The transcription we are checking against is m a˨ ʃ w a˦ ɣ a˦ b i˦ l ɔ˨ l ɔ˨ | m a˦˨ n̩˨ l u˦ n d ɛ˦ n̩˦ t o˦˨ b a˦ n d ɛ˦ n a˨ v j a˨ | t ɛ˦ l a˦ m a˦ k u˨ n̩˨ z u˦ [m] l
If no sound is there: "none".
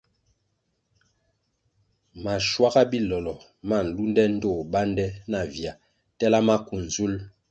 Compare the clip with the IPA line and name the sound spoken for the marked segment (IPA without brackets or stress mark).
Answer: none